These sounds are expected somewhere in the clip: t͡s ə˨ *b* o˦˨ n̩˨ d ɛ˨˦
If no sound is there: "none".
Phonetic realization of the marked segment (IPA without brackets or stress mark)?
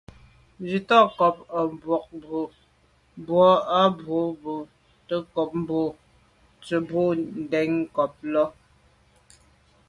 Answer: b